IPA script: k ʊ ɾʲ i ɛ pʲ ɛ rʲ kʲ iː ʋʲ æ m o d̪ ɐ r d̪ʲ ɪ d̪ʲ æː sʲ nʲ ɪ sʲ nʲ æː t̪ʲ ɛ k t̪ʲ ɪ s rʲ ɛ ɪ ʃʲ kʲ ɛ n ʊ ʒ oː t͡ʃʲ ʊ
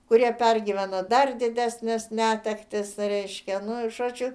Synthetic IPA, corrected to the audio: k ʊ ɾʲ i ɛ pʲ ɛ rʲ ɡʲ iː ʋʲ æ n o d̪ ɐ r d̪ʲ ɪ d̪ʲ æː sʲ nʲ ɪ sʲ nʲ æː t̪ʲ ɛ k t̪ʲ ɪ s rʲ ɛ ɪ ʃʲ kʲ ɛ n ʊ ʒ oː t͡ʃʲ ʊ